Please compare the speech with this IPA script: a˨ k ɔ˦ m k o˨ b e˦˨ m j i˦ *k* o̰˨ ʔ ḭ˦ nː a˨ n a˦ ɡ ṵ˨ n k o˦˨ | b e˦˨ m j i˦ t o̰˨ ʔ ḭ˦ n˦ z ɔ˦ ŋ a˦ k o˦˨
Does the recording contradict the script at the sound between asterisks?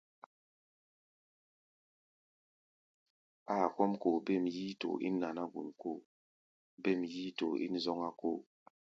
yes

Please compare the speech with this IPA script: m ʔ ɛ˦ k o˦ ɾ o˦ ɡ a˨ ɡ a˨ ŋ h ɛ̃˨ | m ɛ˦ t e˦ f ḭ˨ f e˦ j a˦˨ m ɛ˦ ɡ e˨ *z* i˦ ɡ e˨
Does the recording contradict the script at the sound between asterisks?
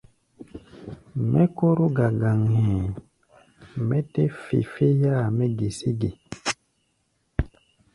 yes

